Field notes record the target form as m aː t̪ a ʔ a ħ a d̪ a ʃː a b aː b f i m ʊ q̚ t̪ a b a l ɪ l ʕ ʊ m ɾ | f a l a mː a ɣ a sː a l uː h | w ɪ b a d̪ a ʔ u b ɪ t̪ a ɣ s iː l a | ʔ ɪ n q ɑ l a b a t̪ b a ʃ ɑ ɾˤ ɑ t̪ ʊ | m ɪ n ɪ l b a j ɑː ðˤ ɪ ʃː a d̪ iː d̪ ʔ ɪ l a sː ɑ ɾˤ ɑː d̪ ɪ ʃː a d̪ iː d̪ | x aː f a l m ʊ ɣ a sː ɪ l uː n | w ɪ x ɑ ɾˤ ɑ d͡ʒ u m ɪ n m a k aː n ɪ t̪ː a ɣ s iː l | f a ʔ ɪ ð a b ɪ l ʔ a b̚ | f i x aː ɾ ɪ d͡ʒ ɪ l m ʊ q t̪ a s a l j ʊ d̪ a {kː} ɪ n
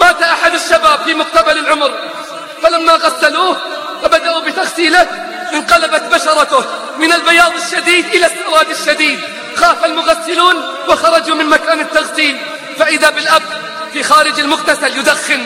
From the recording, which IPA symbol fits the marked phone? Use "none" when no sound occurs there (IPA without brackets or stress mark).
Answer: xː